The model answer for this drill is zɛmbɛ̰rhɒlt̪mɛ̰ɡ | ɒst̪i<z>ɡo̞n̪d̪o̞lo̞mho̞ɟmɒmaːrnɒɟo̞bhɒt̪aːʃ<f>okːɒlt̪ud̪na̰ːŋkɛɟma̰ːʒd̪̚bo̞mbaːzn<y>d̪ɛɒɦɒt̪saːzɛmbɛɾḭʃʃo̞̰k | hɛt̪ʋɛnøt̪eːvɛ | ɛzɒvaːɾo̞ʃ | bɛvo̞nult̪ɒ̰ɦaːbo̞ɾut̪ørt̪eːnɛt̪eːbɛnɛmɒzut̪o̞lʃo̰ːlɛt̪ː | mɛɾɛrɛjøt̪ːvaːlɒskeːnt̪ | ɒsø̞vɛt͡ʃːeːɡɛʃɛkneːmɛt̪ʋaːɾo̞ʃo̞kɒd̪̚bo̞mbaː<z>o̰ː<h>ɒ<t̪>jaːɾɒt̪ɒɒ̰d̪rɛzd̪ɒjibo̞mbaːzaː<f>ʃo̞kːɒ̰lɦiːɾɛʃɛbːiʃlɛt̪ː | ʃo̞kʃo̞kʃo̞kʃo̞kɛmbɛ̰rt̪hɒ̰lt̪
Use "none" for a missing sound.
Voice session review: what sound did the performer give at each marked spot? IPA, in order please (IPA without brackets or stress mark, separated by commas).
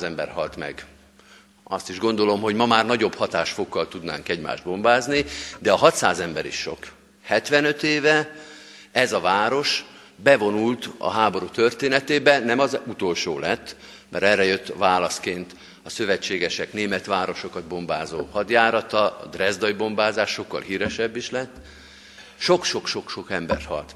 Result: ʒ, f, i, z, h, d̪, ʃ